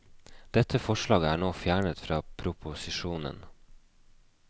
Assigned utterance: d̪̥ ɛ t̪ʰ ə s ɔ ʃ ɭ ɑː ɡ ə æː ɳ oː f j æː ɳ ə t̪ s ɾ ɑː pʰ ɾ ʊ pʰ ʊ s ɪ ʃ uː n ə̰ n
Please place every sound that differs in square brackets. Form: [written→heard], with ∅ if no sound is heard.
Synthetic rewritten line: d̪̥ ɛ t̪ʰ ə [s→f] ɔ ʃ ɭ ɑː ɡ ə æː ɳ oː f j æː ɳ ə t̪ [s→f] ɾ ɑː pʰ ɾ ʊ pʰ ʊ s ɪ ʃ uː n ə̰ n

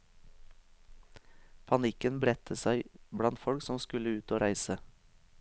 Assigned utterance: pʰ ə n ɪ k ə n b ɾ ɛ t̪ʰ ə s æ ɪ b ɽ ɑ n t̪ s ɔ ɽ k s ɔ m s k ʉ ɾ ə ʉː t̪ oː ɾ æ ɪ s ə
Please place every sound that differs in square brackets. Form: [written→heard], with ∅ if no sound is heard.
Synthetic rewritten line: pʰ [ə→ɑ] n ɪ k ə n b ɾ ɛ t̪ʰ ə s æ ɪ b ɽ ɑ n t̪ [s→f] ɔ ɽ k s ɔ m s k ʉ [ɾ→l] ə ʉː t̪ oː ɾ æ ɪ s ə

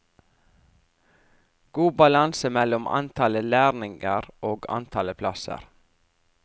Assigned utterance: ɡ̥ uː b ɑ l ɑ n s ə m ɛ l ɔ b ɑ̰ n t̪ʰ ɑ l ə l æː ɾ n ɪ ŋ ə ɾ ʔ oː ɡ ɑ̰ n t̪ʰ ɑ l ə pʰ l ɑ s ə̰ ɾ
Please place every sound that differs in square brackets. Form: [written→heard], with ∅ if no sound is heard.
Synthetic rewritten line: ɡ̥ uː b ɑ l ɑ n s ə m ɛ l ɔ [b→m] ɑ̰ n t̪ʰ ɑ l ə l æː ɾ n ɪ ŋ ə ɾ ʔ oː ɡ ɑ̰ n t̪ʰ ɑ l ə pʰ l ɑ s ə̰ ɾ

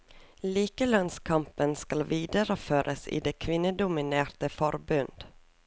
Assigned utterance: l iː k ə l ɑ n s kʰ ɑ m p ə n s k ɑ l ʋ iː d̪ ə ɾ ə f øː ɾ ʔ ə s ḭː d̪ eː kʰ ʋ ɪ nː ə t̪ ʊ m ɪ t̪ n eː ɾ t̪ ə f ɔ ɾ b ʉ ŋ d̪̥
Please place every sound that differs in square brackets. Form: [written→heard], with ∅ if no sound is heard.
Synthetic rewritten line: l iː k ə l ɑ n s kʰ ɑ m p ə n s k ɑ l ʋ iː d̪ ə ɾ ə f øː ɾ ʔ ə s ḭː d̪ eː kʰ ʋ ɪ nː ə [t̪→d̪] ʊ m ɪ [t̪→∅] n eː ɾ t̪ ə f ɔ ɾ b ʉ [ŋ→n] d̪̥

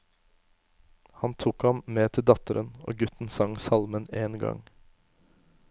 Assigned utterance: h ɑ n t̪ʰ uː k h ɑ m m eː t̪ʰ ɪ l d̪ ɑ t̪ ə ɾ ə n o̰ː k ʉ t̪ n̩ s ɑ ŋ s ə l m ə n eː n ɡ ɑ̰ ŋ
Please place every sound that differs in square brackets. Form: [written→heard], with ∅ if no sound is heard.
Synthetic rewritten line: h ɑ n t̪ʰ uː k h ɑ m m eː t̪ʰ ɪ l d̪ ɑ t̪ ə ɾ ə n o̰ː [k→ɡ] ʉ t̪ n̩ s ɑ ŋ s [ə→ɑ] l m ə n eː n ɡ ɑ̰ ŋ

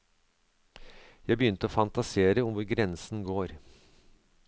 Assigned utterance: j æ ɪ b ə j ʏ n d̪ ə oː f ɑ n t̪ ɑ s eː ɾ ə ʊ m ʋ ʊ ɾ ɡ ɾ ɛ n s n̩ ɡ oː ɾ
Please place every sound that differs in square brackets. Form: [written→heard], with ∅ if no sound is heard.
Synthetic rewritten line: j æ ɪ b ə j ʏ n [d̪→t̪] ə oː f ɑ n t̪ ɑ s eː ɾ ə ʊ m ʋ ʊ ɾ ɡ ɾ ɛ n s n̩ ɡ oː ɾ

